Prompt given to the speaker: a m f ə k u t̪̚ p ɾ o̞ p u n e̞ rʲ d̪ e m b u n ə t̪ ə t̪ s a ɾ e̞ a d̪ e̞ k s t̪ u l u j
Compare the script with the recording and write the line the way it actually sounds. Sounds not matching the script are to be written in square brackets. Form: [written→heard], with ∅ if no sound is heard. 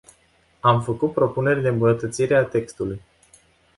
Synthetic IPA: a m f ə k u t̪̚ p ɾ o̞ p u n e̞ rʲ d̪ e m b u n ə t̪ ə t̪ s [a→i] ɾ e̞ a [d̪→t̪] e̞ k s t̪ u l u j